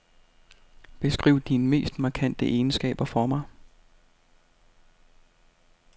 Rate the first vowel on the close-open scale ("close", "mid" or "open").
mid